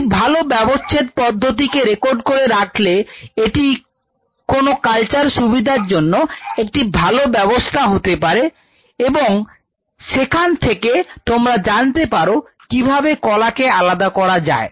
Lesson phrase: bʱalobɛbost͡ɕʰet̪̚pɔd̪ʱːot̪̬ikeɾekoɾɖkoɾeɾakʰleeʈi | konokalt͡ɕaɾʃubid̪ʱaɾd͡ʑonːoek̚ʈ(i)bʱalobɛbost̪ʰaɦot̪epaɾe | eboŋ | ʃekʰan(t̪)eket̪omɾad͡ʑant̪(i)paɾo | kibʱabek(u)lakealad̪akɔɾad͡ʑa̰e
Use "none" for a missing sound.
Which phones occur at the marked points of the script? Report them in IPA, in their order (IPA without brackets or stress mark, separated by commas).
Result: i, t̪ʰ, e, ɔ